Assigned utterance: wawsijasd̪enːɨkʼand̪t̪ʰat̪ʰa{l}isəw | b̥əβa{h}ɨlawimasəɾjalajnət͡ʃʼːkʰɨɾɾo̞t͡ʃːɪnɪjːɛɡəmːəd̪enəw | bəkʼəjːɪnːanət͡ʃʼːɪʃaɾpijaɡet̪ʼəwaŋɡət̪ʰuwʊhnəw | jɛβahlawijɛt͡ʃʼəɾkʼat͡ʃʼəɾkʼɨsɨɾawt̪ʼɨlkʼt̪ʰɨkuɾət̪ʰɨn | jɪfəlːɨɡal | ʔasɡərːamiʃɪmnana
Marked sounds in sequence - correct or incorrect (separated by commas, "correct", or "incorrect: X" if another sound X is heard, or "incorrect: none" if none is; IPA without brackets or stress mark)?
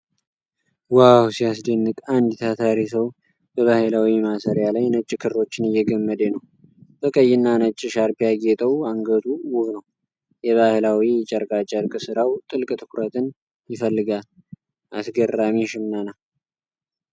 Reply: incorrect: ɾ, correct